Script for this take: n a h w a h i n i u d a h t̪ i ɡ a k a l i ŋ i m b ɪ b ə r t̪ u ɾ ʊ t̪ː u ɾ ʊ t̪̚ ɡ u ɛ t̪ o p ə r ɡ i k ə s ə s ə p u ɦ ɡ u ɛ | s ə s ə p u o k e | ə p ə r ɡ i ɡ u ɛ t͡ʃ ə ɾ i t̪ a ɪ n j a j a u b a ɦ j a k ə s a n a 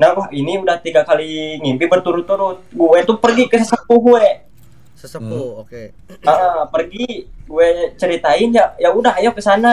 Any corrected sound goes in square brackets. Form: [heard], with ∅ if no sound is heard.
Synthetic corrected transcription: n a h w a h i n i u d a h t̪ i ɡ a k a l i ŋ i m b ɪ b ə r t̪ u ɾ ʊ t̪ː u ɾ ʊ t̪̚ ɡ u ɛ t̪ [u] p ə r ɡ i k ə s ə s ə p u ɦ ɡ u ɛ | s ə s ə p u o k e | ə p ə r ɡ i ɡ u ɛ t͡ʃ ə ɾ i t̪ a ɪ n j a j a u [d] a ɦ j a k ə s a n a